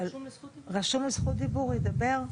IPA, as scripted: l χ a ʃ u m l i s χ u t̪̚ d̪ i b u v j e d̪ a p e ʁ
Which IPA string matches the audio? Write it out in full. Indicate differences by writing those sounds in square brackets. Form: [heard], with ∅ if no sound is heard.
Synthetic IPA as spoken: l [ʁ] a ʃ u m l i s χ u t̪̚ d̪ i b u [ʁ] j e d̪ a [b] e ʁ